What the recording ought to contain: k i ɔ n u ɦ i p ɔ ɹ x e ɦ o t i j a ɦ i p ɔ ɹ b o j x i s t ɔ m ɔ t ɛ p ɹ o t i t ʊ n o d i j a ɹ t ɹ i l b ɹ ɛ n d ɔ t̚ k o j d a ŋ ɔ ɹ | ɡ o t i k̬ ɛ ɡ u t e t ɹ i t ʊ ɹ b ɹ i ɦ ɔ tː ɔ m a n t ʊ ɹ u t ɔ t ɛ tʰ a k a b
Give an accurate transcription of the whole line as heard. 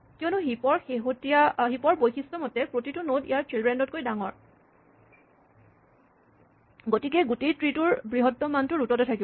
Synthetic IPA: k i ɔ n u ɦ i p ɔ ɹ x e ɦ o t i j a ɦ i p ɔ ɹ b o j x i s t ɔ m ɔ t ɛ p ɹ o t i t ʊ n o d i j a ɹ t ɹ i l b ɹ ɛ n d ɔ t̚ k o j d a ŋ ɔ ɹ | ɡ o t i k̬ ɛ ɡ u t e t ɹ i t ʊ ɹ b ɹ i ɦ ɔ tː ɔ m a n t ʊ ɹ u t ɔ t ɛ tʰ a k i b